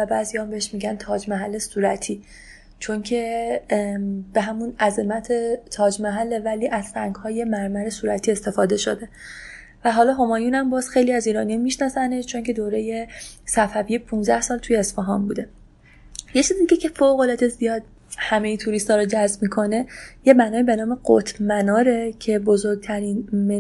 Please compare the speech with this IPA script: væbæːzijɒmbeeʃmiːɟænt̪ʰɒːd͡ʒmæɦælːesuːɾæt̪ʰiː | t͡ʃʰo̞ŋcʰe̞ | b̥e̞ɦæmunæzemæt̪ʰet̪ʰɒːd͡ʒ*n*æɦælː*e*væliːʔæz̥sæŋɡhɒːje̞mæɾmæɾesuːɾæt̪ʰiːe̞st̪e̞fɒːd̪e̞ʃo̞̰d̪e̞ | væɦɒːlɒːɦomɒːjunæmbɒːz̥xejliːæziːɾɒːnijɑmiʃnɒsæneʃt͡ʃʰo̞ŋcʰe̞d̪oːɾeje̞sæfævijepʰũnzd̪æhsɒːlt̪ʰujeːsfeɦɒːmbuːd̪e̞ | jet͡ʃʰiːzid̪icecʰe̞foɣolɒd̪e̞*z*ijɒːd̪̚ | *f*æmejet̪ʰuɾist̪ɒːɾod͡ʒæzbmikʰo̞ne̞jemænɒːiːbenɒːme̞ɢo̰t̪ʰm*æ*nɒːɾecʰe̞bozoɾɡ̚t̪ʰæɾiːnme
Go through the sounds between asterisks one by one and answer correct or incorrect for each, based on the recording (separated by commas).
incorrect, correct, correct, incorrect, correct